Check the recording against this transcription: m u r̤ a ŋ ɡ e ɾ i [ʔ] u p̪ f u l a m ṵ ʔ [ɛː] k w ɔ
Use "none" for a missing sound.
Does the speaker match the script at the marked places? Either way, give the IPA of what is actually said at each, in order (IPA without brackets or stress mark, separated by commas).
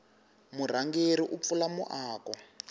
ʔ, aː